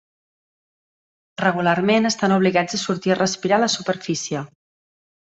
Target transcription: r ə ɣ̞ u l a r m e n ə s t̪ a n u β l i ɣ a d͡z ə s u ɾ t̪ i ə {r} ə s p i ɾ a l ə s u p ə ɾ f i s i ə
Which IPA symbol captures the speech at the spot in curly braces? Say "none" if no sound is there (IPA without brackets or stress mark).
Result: r